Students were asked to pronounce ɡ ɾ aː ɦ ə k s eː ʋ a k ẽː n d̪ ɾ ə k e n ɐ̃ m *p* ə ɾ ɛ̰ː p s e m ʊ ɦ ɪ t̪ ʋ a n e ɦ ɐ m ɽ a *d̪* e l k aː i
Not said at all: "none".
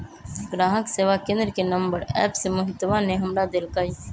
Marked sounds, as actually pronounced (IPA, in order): b, d̪

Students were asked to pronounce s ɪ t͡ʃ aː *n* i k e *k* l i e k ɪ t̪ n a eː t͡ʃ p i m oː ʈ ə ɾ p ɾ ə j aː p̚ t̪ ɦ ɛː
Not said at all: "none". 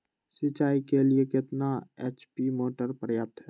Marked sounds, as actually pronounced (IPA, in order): none, none

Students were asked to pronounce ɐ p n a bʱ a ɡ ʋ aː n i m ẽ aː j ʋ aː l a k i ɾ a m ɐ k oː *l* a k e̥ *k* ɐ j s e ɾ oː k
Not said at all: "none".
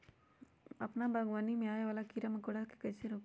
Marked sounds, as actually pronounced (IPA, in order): ɽ, k

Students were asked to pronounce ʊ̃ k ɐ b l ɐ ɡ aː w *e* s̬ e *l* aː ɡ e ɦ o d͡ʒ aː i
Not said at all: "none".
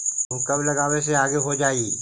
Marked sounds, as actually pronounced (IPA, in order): e, none

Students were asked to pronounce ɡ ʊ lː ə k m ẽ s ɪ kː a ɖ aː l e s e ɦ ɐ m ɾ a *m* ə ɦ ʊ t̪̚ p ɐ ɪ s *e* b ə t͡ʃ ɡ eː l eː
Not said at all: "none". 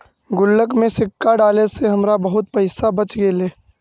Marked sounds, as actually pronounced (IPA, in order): b, a

